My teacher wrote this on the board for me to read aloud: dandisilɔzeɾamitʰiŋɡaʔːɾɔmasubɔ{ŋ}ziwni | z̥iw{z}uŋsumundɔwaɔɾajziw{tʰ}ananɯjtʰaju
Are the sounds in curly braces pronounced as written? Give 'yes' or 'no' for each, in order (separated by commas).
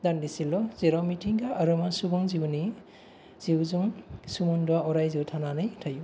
yes, yes, yes